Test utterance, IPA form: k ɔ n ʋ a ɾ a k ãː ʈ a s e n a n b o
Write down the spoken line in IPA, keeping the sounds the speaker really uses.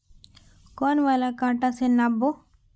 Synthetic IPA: k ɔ n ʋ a l a k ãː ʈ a s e n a b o